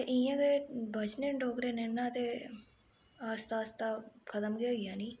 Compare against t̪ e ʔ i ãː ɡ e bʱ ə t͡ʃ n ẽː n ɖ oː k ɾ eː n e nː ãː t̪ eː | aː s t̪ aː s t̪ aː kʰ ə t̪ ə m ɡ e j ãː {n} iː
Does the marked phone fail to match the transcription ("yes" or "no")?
no